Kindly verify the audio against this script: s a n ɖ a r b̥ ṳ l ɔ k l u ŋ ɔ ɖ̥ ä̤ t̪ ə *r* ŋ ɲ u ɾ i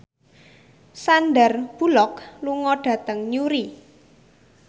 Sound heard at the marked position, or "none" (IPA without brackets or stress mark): none